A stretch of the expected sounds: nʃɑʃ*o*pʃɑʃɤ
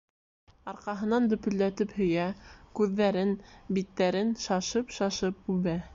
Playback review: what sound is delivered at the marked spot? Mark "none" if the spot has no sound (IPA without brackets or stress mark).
ɤ